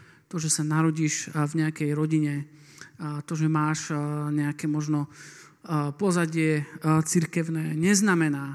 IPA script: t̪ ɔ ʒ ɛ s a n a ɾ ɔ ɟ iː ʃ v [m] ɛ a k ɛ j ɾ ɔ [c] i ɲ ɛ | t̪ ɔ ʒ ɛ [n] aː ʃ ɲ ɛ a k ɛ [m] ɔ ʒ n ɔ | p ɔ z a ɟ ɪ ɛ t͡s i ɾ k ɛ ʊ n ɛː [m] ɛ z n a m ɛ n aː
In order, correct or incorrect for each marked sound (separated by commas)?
incorrect, incorrect, incorrect, correct, incorrect